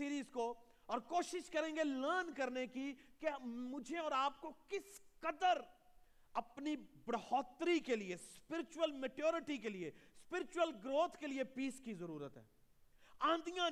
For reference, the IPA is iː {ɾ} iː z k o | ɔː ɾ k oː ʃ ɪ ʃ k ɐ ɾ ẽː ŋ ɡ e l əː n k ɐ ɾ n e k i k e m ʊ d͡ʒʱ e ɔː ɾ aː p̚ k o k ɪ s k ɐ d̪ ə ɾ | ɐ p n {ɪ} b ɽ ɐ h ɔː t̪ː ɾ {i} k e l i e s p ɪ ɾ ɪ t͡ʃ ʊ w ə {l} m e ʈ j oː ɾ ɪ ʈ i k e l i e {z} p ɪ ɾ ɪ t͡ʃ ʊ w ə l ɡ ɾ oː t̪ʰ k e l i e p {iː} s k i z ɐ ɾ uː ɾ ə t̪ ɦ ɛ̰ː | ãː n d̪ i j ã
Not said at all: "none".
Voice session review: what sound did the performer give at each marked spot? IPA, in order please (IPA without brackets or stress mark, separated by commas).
ɾ, i, i, l, s, iː